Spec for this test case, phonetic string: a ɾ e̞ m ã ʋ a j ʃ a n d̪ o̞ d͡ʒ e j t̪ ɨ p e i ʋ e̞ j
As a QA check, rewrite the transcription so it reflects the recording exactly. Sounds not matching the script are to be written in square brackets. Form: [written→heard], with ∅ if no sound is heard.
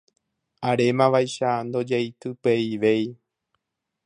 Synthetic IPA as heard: a ɾ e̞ m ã ʋ a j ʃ a n d̪ o̞ d͡ʒ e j t̪ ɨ p e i ʋ e̞ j